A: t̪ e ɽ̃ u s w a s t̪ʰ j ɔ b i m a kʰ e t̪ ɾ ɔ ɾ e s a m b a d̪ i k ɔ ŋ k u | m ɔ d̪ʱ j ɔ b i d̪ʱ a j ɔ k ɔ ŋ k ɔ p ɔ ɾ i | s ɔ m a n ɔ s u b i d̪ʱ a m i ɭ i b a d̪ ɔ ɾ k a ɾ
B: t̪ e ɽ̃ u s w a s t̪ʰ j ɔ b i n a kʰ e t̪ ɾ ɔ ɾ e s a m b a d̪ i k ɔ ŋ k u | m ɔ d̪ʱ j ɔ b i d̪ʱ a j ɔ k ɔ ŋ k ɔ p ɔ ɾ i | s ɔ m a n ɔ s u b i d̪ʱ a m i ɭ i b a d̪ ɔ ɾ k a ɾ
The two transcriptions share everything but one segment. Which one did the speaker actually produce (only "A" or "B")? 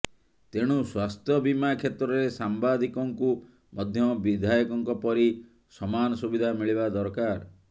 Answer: A